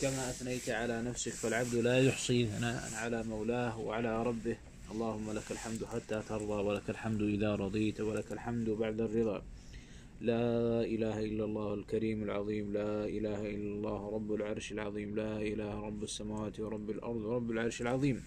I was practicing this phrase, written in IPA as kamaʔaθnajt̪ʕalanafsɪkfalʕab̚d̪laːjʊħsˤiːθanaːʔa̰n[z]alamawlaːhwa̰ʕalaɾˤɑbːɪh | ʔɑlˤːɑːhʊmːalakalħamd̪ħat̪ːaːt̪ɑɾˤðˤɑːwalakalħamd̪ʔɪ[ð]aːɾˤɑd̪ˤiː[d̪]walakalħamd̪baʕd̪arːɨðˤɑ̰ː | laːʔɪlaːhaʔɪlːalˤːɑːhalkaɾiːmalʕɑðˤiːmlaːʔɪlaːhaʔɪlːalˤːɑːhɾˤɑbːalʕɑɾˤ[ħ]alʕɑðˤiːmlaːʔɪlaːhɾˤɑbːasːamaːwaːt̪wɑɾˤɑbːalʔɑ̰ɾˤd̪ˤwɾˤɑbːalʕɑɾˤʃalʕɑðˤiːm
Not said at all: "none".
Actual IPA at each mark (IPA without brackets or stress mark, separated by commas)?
ʕ, ð, t̪, ʃ